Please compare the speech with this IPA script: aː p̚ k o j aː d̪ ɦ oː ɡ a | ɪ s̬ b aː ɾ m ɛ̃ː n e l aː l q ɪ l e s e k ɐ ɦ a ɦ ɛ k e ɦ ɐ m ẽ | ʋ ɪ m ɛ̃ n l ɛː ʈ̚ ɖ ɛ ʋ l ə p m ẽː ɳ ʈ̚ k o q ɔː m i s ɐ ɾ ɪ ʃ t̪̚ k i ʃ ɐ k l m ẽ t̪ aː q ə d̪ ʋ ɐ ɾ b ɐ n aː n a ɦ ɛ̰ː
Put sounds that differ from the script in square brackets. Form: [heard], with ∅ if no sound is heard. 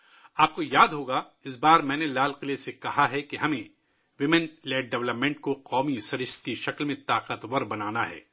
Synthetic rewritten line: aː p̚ k o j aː d̪ ɦ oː ɡ a | ɪ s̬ b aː ɾ m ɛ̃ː n e l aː l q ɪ l e s e k ɐ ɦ a ɦ ɛ k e ɦ ɐ m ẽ | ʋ ɪ m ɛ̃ n l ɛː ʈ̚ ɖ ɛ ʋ l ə p m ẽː ɳ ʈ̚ k o q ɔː m i s ɐ ɾ ɪ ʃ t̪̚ k i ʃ ɐ k l m ẽ t̪ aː q ə [t̪] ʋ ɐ ɾ b ɐ n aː n a ɦ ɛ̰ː